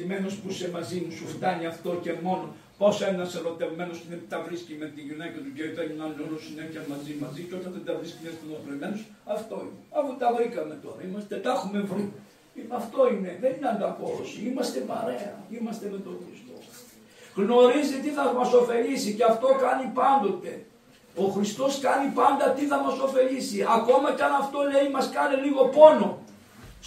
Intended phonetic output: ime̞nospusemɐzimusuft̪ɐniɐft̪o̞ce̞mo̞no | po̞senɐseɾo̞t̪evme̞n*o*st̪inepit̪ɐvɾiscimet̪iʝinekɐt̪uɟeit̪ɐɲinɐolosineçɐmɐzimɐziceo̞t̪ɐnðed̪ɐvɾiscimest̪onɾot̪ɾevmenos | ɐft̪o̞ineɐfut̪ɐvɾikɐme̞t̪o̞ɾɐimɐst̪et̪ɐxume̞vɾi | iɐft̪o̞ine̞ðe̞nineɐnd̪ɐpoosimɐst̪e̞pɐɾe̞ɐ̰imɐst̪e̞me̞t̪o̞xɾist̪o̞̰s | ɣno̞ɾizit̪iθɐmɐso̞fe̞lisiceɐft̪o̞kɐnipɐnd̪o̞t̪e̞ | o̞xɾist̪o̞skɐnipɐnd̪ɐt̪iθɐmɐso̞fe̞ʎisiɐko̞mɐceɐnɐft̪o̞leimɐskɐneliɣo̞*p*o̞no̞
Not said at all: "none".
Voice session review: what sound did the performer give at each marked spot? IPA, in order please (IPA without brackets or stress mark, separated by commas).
o, p